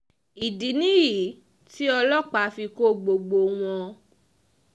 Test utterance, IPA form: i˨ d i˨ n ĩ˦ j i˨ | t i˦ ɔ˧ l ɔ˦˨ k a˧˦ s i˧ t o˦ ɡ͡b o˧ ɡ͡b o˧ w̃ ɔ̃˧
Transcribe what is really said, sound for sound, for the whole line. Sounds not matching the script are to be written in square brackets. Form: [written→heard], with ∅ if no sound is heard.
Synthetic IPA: i˨ d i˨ n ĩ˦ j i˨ | t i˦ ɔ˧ l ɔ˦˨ [k→k͡p] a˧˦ [s→f] i˧ [t→k] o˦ ɡ͡b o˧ ɡ͡b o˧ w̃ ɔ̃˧